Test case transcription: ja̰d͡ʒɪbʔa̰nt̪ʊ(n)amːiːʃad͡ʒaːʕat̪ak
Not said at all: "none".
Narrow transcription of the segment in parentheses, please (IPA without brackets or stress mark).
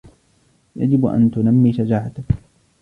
n